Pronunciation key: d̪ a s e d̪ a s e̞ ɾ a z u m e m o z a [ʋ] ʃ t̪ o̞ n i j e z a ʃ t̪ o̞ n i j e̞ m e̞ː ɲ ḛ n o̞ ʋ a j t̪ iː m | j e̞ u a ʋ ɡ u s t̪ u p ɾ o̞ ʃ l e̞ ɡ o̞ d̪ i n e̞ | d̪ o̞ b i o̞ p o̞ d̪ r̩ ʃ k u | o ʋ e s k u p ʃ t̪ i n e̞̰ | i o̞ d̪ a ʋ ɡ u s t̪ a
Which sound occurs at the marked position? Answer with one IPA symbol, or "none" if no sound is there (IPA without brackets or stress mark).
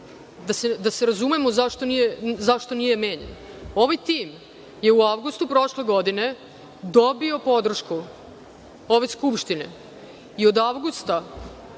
none